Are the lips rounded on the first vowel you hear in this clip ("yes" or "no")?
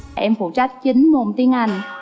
no